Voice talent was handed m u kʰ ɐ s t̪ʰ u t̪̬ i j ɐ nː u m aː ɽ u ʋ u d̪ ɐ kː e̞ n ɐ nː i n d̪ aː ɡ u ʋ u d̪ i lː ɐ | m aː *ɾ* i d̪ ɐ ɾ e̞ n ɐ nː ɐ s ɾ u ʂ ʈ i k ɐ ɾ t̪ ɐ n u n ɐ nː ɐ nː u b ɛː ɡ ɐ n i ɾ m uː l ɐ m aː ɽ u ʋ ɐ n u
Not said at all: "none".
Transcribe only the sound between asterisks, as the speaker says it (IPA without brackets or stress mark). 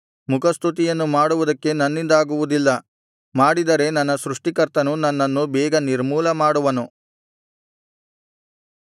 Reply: ɽ